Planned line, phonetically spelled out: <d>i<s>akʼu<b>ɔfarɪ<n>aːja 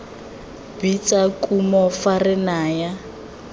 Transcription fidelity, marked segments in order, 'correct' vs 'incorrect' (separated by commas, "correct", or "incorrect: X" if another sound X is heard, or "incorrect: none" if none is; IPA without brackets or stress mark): incorrect: b, incorrect: t͡s, incorrect: m, correct